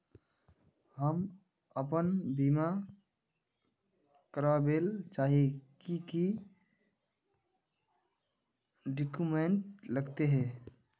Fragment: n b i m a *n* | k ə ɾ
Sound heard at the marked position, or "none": none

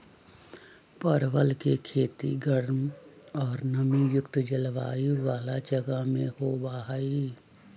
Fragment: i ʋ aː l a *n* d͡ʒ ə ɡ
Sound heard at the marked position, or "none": none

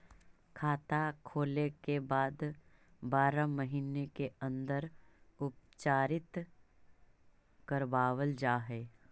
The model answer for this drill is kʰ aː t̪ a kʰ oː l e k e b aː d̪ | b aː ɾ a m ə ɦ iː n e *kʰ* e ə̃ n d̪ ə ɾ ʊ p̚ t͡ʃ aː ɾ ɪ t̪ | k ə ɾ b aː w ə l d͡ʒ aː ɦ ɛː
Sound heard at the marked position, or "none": k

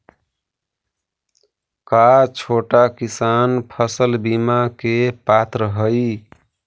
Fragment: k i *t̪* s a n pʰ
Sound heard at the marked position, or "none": none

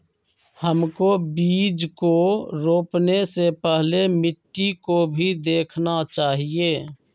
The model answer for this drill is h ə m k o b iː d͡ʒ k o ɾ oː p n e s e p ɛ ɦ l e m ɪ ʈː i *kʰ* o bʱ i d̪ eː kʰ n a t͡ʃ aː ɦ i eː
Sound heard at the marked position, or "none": k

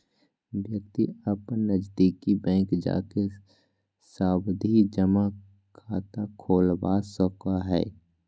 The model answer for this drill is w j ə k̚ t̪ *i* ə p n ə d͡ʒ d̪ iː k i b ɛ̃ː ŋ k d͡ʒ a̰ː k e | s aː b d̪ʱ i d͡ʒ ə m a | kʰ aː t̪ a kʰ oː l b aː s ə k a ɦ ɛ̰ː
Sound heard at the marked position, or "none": i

